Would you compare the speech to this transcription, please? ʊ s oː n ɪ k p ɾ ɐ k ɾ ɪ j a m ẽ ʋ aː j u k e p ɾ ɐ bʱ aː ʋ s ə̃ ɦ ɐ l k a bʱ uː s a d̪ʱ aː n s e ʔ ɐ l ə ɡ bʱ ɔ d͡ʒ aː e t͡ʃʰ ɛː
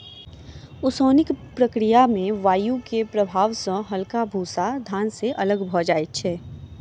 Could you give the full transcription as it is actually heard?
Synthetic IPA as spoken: ʊ s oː n ɪ k p ɾ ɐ k ɾ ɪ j a m ẽ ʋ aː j u k e p ɾ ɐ bʱ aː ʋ s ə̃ ɦ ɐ l k a bʱ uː s a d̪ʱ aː n s e ʔ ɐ l ə ɡ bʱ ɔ d͡ʒ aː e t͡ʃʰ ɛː